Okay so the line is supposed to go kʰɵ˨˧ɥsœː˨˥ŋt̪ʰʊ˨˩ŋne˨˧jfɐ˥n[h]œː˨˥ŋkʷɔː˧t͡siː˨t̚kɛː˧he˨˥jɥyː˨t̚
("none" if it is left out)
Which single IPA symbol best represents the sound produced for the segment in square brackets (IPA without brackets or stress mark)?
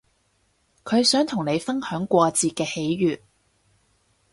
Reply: h